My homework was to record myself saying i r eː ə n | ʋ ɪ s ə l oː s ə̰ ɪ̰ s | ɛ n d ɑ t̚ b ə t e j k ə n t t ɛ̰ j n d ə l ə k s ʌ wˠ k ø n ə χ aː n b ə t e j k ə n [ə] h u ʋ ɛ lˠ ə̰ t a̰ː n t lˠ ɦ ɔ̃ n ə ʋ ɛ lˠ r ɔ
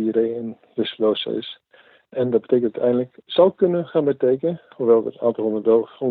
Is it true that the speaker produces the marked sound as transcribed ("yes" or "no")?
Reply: yes